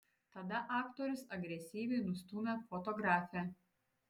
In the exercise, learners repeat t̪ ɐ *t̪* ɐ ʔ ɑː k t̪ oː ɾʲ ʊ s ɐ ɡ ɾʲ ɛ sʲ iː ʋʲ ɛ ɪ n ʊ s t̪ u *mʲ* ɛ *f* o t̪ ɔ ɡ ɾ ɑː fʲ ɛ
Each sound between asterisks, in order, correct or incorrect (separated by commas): incorrect, correct, correct